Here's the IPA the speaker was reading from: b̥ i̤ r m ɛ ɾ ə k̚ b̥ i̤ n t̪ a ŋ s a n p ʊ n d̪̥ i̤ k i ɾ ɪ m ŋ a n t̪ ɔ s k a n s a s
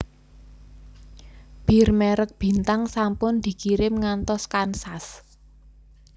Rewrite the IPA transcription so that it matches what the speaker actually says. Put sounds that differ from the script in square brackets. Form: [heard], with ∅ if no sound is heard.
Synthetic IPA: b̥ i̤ r m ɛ ɾ ə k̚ b̥ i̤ n t̪ a ŋ s a [m] p ʊ n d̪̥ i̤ k i ɾ ɪ m ŋ a n t̪ ɔ s k a n s a s